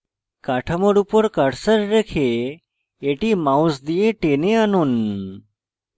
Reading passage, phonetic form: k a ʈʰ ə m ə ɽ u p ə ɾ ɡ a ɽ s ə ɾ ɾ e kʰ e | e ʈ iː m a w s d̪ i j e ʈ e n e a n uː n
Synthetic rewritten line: k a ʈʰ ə m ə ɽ u p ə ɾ k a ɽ s ə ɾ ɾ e kʰ e | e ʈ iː m a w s d̪ i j e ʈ e n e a n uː n

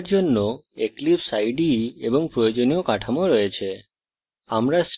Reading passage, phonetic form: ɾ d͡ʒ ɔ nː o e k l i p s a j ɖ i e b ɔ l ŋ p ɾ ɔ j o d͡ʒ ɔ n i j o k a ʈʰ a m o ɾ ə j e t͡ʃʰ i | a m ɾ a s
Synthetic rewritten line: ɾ d͡ʒ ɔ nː o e k l i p s a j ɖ i e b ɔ ŋ p ɾ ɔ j o d͡ʒ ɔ n i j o k a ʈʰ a m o ɾ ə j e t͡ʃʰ e | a m ɾ a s

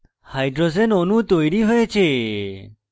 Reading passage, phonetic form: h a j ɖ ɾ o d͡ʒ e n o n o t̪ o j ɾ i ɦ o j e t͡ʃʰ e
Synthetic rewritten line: h a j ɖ ɾ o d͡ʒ e n o n u t̪ o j ɾ i ɦ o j e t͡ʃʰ e

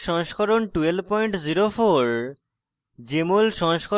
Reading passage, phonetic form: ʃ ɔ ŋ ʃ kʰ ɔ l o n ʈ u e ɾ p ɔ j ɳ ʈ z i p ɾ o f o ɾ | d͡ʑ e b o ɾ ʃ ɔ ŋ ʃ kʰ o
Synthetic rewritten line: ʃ ɔ ŋ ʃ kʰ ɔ ɾ o n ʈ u e l p ɔ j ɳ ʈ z i ɾ o f o ɾ | d͡ʑ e m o l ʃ ɔ ŋ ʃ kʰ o

